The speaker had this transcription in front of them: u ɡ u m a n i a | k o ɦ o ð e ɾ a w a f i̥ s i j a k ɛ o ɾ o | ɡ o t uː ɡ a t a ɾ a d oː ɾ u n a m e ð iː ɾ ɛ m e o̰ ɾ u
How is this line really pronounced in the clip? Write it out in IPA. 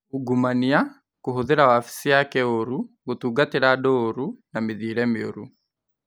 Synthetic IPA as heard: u ɡ u m a n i a | k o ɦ o ð e ɾ a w a f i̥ s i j a k ɛ o ɾ u | ɡ o t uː ɡ a t e ɾ a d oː ɾ u n a m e ð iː ɾ ɛ m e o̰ ɾ u